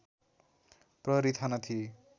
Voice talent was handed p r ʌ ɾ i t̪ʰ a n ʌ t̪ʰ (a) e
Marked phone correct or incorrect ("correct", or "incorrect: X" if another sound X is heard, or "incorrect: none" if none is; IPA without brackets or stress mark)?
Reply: incorrect: i